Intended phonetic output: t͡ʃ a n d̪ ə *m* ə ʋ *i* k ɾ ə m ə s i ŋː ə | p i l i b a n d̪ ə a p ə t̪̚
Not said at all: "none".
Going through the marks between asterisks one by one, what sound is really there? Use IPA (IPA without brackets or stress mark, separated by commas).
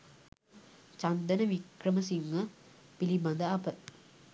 n, i